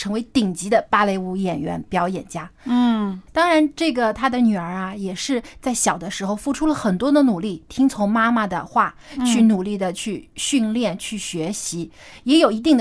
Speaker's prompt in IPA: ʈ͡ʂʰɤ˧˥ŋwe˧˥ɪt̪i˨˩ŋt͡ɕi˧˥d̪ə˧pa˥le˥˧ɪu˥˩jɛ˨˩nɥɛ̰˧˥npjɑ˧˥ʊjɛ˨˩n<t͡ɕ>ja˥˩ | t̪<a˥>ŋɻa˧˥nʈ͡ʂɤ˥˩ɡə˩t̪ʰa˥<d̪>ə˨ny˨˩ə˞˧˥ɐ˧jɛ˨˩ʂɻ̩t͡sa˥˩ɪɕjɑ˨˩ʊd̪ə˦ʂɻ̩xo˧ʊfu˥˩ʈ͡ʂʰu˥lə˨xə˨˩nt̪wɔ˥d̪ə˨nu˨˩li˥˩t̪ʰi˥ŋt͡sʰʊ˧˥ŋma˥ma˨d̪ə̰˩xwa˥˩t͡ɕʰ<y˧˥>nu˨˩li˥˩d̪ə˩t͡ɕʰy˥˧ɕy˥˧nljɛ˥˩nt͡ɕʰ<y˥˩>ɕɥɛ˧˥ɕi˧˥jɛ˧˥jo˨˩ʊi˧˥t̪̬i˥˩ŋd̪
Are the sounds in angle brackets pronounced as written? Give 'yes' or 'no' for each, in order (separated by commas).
yes, no, yes, no, yes